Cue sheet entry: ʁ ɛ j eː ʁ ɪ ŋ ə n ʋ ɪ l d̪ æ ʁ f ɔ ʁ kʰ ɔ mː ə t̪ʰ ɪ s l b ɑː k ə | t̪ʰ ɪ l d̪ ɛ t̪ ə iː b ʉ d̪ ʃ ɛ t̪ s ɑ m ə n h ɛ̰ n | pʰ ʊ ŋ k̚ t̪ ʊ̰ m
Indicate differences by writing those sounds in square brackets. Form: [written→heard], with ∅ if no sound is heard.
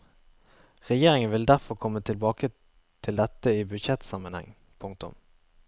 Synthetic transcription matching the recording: ʁ ɛ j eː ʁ ɪ ŋ ə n ʋ ɪ l d̪ æ ʁ f ɔ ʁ kʰ ɔ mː ə t̪ʰ ɪ [s→∅] l b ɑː k ə | t̪ʰ ɪ l d̪ ɛ t̪ ə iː b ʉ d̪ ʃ ɛ t̪ s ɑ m ə n h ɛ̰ [n→ŋ] | pʰ ʊ ŋ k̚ t̪ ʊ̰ m

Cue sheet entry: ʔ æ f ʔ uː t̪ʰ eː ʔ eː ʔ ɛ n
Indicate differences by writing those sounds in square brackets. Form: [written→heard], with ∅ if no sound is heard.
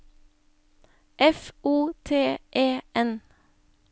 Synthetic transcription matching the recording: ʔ [æ→ɛ] f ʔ uː t̪ʰ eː ʔ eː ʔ ɛ n

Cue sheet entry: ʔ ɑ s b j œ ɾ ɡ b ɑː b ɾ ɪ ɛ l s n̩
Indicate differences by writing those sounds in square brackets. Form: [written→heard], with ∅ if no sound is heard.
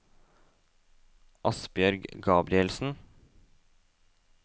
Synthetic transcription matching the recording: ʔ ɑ s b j œ ɾ ɡ [b→ɡ] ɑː b ɾ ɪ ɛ l s n̩

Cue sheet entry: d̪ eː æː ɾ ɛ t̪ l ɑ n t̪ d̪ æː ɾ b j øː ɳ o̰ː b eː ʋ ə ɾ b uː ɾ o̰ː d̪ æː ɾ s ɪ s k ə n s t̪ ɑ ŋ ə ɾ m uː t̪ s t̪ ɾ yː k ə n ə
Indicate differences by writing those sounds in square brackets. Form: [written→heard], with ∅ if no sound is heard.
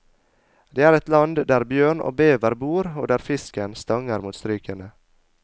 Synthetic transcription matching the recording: d̪ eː æː ɾ ɛ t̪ l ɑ n [t̪→d̪] d̪ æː ɾ b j øː ɳ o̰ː b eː ʋ ə ɾ b uː ɾ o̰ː d̪ æː ɾ [s→f] ɪ s k ə n s t̪ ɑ ŋ ə ɾ m uː t̪ s t̪ ɾ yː k ə n ə

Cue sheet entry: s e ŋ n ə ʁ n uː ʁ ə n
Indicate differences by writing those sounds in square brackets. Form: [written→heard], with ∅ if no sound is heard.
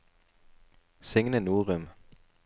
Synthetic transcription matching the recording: s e ŋ n ə [ʁ→∅] n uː ʁ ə [n→m]

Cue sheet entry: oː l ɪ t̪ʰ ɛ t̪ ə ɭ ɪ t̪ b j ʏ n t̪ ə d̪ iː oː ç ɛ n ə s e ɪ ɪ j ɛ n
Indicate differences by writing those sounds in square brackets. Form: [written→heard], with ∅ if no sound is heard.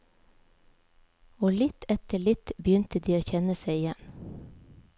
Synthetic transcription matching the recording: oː l ɪ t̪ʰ ɛ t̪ ə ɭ ɪ t̪ b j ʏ n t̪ ə d̪ iː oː ç ɛ n ə s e ɪ ɪ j ɛ n

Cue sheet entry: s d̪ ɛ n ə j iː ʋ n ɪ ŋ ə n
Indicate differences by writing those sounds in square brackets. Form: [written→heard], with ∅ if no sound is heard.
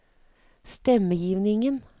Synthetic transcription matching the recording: s [d̪→t̪] ɛ [n→m] ə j iː ʋ n ɪ ŋ ə n

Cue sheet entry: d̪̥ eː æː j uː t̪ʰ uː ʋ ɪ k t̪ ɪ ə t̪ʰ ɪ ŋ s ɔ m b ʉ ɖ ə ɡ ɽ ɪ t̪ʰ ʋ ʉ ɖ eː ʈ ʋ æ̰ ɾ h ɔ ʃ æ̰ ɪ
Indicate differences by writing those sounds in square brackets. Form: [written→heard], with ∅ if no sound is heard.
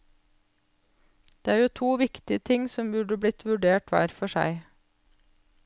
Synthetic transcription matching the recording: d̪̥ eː æː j uː t̪ʰ uː ʋ ɪ k t̪ ɪ ə t̪ʰ ɪ ŋ s ɔ m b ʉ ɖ ə [ɡ→b] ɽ ɪ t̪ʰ ʋ ʉ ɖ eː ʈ ʋ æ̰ ɾ [h→f] ɔ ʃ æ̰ ɪ

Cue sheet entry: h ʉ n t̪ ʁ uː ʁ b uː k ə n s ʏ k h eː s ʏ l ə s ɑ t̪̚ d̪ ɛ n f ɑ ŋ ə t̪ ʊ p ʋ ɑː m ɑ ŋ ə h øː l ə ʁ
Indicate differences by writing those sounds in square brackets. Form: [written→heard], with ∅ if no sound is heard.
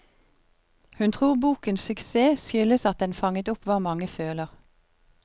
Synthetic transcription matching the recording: h ʉ n [t̪→t̪ʰ] ʁ uː ʁ b uː k ə n s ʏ k [h→s] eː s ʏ l ə s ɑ t̪̚ d̪ ɛ n f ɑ ŋ ə t̪ ʊ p ʋ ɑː m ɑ ŋ ə [h→f] øː l ə ʁ

